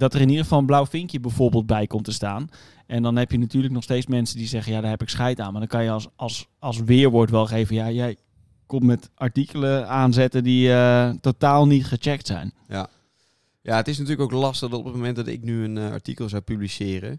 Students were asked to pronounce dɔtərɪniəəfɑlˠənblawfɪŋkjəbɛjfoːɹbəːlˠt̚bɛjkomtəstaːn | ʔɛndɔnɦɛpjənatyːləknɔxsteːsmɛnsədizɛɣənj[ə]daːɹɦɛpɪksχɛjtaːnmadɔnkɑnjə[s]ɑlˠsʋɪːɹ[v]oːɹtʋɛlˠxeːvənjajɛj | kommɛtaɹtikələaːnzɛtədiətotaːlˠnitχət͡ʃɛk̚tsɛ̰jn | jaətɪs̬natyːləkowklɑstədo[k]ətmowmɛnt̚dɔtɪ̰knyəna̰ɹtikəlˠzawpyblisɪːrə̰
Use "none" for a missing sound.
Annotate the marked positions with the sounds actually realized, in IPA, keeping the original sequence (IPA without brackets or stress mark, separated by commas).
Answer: a, s, ʋ, p